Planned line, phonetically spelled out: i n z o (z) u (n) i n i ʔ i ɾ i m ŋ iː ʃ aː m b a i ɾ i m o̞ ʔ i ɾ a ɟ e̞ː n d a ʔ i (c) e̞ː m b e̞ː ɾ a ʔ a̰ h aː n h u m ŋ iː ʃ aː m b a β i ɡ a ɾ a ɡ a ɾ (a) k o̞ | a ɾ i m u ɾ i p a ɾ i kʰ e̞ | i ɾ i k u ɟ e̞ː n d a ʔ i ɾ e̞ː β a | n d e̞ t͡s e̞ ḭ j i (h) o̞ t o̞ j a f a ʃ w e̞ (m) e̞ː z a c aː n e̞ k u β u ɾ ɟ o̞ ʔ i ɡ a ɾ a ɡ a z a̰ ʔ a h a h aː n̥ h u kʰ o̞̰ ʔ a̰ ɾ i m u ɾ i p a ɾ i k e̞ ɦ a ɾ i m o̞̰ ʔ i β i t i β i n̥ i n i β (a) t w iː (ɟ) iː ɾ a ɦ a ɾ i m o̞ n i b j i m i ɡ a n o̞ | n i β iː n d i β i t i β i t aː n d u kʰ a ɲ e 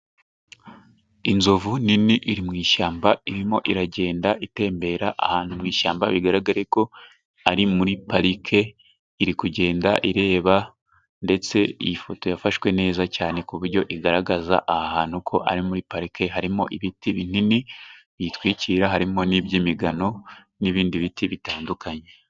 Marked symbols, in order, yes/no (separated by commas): no, yes, no, no, no, no, no, no